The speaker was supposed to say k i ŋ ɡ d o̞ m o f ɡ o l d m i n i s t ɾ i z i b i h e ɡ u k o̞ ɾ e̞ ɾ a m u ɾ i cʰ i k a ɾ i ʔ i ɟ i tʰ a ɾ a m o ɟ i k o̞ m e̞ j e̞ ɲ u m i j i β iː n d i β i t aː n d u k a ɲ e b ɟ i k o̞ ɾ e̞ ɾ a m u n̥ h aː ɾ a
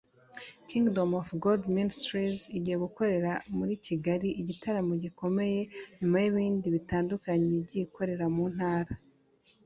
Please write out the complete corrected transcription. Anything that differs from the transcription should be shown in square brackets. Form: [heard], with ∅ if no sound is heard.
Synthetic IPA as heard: k i ŋ ɡ d o̞ m o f ɡ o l d m i n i s t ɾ i z i [ɟ] i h e ɡ u k o̞ ɾ e̞ ɾ a m u ɾ i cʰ i [ɡ] a ɾ i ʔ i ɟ i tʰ a ɾ a m o ɟ i k o̞ m e̞ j e̞ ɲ u m [a] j i β iː n d i β i t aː n d u k a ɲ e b ɟ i k o̞ ɾ e̞ ɾ a m u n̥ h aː ɾ a